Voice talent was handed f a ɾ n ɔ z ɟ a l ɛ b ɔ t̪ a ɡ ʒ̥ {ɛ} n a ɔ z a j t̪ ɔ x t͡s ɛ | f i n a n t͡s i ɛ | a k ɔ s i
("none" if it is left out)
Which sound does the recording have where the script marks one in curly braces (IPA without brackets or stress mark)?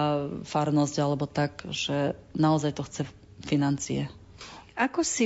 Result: ɛ